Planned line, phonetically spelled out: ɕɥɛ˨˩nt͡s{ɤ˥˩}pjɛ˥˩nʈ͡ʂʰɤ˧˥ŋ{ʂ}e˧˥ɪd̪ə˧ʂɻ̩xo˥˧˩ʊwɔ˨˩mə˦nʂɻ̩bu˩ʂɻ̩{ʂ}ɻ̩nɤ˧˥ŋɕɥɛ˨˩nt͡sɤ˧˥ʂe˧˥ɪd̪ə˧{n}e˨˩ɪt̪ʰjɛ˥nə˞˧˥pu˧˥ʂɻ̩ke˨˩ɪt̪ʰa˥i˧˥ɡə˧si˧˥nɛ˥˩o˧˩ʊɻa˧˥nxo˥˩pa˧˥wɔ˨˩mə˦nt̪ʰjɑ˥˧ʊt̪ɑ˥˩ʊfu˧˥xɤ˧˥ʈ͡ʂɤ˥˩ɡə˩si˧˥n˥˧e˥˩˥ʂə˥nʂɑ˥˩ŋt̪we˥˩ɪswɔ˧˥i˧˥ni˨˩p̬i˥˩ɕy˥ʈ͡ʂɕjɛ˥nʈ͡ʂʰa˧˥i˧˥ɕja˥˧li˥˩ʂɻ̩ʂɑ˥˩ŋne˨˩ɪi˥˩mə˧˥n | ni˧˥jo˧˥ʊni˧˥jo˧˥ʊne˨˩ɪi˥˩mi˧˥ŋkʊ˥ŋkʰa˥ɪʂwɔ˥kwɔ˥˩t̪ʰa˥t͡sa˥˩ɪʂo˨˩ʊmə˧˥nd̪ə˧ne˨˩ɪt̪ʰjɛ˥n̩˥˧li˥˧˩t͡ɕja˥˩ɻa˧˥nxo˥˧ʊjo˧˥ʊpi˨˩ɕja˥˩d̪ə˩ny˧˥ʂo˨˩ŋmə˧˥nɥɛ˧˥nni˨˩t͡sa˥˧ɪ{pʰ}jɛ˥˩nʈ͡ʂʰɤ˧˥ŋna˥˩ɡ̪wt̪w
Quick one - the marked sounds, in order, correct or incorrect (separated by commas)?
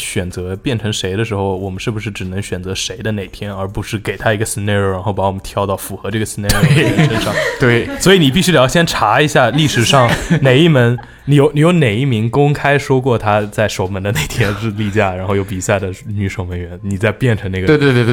incorrect, correct, incorrect, correct, incorrect